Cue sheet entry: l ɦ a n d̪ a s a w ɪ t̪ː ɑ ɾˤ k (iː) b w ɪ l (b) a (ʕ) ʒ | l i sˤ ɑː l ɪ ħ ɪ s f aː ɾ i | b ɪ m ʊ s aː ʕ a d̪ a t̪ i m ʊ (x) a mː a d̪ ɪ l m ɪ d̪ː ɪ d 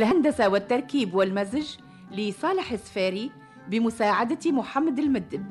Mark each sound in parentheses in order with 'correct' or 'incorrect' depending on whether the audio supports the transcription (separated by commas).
correct, incorrect, incorrect, incorrect